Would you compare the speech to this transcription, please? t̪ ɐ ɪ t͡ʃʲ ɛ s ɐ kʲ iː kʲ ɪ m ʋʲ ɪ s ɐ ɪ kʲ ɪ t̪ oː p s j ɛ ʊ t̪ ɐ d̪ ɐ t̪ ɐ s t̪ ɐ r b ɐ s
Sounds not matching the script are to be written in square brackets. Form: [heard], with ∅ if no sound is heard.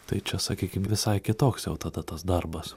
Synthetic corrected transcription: t̪ ɐ ɪ t͡ʃʲ ɛ s ɐ kʲ iː kʲ ɪ m ʋʲ ɪ s ɐ ɪ kʲ ɪ t̪ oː [k] s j ɛ ʊ t̪ ɐ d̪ ɐ t̪ ɐ s [d̪] ɐ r b ɐ s